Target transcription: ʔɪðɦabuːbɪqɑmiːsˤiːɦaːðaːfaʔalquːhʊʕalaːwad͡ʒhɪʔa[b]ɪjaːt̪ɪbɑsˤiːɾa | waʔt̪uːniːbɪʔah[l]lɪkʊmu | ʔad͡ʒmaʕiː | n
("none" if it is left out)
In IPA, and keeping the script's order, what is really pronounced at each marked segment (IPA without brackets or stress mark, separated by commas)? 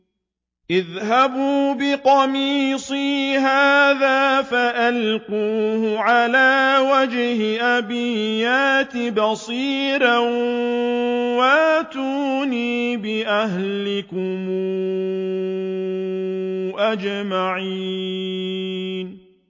b, l